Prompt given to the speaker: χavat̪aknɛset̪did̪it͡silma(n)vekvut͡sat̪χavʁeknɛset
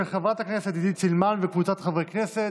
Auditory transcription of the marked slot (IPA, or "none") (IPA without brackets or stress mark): n